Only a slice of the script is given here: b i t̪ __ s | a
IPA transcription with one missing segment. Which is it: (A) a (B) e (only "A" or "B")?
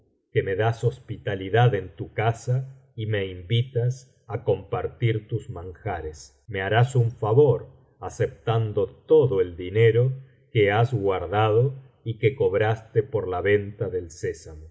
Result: A